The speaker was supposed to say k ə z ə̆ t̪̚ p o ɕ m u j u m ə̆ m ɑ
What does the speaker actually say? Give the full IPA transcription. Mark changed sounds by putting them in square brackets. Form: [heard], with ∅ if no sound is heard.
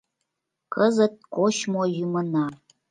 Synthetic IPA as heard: k ə z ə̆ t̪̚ [k] o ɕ m [o] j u m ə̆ [n] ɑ